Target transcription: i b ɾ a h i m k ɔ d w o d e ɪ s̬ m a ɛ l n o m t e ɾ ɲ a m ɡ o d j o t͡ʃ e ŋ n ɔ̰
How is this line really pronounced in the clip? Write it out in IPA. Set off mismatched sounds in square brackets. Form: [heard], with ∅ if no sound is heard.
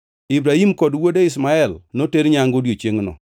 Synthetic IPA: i b ɾ a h i m k ɔ d w o d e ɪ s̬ m a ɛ l n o [∅] t e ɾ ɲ a [ŋ] ɡ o d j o t͡ʃ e ŋ n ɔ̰

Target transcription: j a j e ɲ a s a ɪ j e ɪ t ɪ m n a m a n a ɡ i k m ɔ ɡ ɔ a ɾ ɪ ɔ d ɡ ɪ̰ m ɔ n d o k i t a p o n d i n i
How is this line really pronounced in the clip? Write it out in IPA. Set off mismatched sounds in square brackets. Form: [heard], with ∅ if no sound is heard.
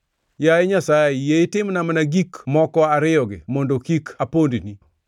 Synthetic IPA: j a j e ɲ a s a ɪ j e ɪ t ɪ m n a m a n a ɡ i k m ɔ [k] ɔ a ɾ ɪ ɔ [∅] ɡ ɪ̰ m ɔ n d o k i [k] a p o n d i n i

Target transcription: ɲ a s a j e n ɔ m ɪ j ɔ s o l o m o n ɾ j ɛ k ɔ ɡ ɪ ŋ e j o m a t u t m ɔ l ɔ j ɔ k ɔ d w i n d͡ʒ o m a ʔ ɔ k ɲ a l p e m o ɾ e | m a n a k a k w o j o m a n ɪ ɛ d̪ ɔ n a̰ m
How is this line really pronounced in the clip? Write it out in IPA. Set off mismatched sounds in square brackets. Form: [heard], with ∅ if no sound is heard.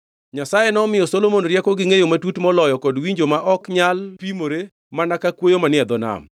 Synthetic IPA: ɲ a s a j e n ɔ m ɪ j ɔ s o l o m o n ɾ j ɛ k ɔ ɡ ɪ ŋ e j o m a t u t m ɔ l ɔ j ɔ k ɔ d w i [ɲ] d͡ʒ o m a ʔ ɔ k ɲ a l p [i] m o ɾ e | m a n a k a k w o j o m a n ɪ ɛ d̪ ɔ n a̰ m

